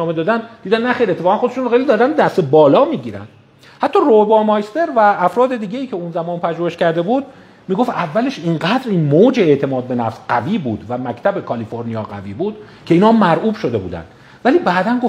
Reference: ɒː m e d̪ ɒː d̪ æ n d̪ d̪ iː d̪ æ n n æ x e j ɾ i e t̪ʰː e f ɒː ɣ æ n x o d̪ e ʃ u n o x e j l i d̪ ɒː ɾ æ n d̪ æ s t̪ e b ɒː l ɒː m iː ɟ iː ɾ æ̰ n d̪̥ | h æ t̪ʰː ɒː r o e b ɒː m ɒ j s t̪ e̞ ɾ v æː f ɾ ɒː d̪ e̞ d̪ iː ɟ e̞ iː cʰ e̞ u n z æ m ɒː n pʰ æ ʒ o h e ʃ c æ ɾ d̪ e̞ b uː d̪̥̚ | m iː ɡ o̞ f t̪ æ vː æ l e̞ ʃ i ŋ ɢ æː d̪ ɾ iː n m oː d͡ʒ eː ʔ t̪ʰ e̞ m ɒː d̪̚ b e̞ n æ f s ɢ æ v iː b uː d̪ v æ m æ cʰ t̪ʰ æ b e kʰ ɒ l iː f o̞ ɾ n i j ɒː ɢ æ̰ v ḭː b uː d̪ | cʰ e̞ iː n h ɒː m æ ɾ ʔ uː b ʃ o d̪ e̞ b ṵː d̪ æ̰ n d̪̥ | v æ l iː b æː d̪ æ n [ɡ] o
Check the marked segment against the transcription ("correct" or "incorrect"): correct